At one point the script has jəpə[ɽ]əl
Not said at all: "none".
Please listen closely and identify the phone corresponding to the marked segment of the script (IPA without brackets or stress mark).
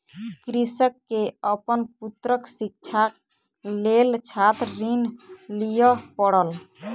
ɽ